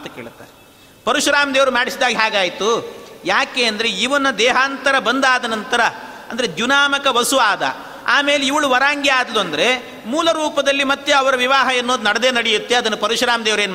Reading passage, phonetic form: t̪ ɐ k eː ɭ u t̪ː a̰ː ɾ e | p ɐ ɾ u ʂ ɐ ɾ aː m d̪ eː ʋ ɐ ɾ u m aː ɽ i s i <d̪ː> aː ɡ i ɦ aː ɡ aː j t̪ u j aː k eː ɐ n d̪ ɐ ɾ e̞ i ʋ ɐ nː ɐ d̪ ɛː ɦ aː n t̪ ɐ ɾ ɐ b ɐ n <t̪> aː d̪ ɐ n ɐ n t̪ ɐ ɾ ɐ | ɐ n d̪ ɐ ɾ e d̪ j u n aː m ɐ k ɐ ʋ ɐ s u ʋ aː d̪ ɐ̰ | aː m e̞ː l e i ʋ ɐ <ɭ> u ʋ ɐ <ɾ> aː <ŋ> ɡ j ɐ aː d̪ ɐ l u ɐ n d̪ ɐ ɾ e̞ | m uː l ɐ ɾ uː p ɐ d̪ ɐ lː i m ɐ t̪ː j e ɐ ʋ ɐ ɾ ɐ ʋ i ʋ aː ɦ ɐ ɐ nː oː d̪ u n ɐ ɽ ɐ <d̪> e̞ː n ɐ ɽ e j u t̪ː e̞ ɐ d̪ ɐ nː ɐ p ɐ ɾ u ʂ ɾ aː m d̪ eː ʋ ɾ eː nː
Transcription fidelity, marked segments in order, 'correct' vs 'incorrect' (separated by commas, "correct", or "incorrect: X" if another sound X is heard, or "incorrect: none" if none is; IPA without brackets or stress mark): incorrect: d̪, incorrect: d̪, correct, correct, correct, correct